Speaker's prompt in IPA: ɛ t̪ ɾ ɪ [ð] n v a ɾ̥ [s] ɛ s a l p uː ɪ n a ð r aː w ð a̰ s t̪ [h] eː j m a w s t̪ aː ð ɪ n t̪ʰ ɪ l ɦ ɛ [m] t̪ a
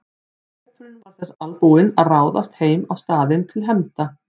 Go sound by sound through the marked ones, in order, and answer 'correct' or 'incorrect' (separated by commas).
incorrect, incorrect, correct, correct